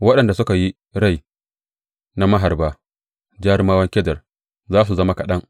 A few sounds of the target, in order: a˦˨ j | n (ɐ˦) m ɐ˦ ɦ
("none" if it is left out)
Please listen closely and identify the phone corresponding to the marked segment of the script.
a˦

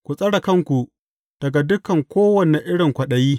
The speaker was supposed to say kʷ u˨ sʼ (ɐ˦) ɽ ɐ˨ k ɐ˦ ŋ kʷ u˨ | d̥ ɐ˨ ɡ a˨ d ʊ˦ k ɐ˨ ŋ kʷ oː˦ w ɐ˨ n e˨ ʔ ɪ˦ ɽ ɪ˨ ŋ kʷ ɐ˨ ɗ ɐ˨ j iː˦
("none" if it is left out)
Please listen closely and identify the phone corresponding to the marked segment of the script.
ɐ˦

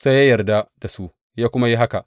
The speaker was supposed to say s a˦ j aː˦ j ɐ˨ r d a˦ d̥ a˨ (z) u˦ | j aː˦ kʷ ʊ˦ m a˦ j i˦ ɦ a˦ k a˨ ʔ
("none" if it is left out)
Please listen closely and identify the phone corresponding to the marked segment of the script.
s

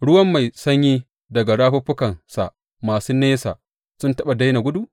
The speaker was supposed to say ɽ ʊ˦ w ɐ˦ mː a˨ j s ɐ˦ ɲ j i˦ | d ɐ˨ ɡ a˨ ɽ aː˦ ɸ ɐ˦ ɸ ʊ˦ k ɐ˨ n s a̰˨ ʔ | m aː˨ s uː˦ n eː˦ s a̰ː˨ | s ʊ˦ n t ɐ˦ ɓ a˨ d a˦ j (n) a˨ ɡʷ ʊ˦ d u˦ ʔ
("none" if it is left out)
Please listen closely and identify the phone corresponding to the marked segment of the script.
n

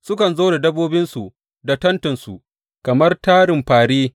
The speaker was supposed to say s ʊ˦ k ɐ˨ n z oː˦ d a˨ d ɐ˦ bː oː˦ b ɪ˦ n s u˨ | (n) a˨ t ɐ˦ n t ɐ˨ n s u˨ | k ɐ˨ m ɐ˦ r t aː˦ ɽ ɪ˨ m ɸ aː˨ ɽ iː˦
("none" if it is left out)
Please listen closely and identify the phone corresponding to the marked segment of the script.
d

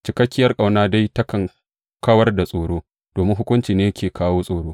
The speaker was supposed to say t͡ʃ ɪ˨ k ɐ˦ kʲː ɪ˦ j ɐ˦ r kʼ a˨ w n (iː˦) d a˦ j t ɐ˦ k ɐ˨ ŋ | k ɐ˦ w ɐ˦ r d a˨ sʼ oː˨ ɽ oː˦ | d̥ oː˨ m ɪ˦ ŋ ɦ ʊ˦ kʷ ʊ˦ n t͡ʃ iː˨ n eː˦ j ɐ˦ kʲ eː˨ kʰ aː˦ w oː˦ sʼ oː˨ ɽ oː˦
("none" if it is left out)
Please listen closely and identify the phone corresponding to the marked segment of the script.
aː˦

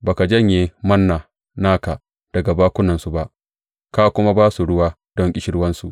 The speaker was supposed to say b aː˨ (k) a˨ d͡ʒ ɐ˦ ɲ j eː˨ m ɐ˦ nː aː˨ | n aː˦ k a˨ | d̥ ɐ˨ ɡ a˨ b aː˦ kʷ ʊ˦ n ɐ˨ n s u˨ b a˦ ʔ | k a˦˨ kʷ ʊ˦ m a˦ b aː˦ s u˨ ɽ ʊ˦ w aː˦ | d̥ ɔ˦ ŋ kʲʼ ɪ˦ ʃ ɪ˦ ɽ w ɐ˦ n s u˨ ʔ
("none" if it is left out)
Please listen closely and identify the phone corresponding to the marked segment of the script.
k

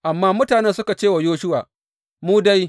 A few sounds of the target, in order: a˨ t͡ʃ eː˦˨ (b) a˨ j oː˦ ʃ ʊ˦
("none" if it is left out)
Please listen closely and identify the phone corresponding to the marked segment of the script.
w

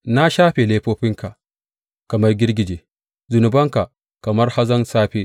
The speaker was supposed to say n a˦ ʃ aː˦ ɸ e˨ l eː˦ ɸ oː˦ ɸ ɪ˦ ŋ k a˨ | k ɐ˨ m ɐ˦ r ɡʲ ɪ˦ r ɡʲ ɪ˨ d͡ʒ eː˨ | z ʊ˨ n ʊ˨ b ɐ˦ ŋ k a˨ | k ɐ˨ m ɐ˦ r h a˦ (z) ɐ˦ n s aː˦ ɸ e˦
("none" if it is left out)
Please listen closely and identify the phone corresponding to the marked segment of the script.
z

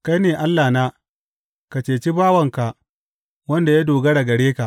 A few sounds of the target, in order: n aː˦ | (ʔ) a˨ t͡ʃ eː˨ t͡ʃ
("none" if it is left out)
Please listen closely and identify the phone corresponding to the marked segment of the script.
k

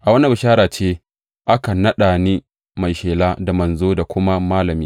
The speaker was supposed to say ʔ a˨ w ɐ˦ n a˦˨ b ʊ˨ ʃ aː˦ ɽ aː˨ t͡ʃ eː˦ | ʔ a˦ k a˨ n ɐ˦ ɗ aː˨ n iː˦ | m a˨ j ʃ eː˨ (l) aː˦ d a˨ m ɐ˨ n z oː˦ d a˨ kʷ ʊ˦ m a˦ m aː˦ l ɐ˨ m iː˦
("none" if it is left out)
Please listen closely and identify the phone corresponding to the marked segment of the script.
l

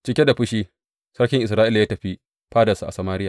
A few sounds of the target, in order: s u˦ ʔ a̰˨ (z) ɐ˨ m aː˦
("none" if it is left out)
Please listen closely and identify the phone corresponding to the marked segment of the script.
s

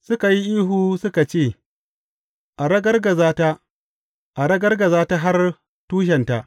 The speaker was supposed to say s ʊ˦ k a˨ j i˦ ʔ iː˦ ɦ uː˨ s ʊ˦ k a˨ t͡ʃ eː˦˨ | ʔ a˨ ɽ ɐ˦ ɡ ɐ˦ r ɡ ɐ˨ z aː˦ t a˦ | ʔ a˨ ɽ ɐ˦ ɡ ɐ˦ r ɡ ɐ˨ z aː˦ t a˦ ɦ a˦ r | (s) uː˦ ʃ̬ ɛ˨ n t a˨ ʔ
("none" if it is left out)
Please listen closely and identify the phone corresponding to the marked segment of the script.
t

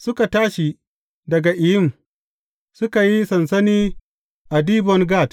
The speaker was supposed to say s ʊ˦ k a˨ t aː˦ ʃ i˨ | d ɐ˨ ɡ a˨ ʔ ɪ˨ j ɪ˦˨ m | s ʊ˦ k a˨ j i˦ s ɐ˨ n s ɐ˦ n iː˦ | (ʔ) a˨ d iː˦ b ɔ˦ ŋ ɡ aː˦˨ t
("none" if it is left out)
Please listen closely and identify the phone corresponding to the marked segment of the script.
ʔ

